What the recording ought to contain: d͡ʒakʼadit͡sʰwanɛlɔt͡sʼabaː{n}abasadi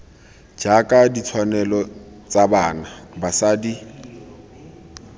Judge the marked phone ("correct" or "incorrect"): correct